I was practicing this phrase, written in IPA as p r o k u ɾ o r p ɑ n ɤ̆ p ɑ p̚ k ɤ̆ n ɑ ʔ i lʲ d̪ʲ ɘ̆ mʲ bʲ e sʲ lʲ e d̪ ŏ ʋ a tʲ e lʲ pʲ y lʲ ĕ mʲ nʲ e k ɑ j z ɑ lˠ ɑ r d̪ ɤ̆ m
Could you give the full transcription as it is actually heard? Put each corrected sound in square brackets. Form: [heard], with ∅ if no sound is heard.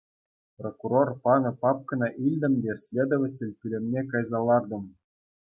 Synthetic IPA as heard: p r o k u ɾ o r p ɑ n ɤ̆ p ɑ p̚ k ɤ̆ n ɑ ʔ i lʲ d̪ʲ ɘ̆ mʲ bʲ e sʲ lʲ e d̪ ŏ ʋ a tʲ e lʲ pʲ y lʲ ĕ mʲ nʲ e k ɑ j z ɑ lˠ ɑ r d̪ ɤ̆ m

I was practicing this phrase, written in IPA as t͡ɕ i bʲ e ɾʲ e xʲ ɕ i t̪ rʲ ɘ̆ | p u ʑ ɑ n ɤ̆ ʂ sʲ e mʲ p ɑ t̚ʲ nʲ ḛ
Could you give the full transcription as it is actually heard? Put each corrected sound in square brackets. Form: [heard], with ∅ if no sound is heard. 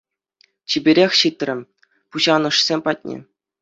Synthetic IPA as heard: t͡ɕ i bʲ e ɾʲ e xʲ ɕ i t̪ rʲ ɘ̆ | p u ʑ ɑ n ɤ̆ ʂ sʲ e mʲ p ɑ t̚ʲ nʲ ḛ

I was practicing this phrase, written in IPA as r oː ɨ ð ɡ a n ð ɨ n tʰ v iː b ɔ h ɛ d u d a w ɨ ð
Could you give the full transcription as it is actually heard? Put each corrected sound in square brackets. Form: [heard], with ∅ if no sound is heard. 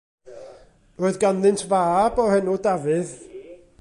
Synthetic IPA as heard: r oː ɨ ð ɡ a n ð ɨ n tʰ v [aː] b ɔ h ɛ [n] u d a [v] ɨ ð

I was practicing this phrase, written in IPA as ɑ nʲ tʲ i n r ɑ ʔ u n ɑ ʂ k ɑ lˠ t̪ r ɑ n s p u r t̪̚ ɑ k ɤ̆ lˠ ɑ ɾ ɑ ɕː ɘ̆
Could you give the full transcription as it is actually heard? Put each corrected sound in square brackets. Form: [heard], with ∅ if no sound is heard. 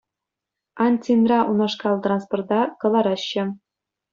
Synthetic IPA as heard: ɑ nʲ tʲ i n r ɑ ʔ u n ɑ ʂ k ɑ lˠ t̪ r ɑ n s p [o] r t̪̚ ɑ k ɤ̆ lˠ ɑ ɾ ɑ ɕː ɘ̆

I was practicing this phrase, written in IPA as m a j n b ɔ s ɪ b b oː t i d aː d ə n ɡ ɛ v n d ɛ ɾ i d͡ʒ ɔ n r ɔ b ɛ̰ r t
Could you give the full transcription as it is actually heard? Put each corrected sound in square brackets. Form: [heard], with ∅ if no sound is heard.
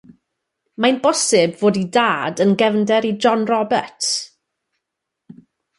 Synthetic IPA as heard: m a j n b ɔ s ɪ b [v] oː [d] i d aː d ə n ɡ ɛ v n d ɛ ɾ i d͡ʒ ɔ n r ɔ b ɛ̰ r t

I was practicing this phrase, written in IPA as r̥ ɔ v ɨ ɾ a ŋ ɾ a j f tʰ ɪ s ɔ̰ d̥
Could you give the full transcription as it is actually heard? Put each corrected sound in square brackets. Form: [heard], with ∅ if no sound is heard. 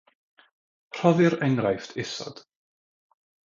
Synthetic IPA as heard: r̥ ɔ [ð] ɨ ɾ [ɛ] ŋ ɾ a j f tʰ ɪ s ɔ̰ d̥

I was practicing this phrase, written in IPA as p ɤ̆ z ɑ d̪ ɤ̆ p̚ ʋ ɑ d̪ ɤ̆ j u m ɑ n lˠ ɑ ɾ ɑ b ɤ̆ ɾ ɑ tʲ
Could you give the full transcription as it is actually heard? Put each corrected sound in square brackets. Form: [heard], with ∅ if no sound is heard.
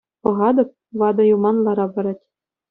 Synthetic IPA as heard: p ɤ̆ [ʁ] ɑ d̪ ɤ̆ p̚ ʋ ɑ d̪ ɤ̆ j u m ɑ n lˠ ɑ ɾ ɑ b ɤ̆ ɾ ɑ tʲ

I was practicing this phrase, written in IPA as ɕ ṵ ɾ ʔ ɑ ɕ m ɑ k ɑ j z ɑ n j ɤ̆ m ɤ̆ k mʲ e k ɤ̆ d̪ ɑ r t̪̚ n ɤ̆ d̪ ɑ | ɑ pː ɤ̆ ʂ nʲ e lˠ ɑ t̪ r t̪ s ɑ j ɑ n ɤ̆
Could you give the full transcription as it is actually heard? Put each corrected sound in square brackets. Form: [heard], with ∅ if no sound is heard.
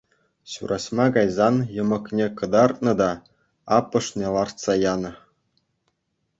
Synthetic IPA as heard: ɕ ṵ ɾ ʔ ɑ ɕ m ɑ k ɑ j z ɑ n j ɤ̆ m ɤ̆ k [nʲ] e k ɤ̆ d̪ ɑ r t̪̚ n ɤ̆ d̪ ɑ | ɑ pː ɤ̆ ʂ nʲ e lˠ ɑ [∅] r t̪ s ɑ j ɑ n ɤ̆

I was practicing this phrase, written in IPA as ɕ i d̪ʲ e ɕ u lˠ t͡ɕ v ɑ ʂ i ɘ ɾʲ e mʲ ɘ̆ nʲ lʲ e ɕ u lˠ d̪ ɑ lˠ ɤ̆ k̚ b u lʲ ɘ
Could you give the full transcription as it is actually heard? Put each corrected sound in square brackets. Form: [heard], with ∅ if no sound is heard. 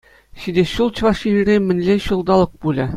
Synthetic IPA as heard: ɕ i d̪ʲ e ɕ u lˠ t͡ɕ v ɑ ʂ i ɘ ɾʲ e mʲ ɘ̆ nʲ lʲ e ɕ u lˠ d̪ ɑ lˠ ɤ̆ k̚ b u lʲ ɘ

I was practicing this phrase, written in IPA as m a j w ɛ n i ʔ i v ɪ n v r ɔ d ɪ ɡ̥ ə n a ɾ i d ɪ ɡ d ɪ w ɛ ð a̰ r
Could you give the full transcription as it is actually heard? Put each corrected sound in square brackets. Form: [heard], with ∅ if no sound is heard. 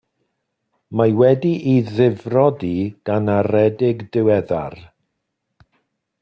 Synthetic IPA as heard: m a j w ɛ [d] i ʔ i [ð] ɪ [∅] v r ɔ d [i] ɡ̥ [a] n a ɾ [ɛ] d ɪ ɡ d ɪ w ɛ ð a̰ r

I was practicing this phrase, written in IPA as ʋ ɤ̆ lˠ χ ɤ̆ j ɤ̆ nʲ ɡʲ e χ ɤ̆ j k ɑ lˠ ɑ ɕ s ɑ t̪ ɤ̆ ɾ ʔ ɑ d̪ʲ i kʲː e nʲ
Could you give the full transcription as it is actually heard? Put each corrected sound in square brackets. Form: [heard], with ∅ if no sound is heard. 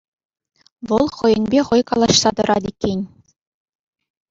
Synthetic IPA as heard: ʋ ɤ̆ lˠ χ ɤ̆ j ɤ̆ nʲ [bʲ] e χ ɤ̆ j k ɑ lˠ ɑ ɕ s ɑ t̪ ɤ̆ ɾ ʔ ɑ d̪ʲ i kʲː e nʲ

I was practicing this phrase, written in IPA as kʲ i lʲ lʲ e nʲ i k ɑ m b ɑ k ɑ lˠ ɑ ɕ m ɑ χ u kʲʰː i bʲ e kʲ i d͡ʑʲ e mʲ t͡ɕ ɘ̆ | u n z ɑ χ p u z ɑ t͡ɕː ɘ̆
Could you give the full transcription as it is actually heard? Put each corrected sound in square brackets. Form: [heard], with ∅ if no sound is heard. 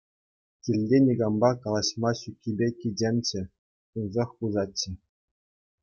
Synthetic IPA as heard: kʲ i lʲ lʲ e nʲ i [ɡ] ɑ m b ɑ k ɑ lˠ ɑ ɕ m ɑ [ɕ] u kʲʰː i bʲ e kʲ i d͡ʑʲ e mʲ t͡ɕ ɘ̆ | u n z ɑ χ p u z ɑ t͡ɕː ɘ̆

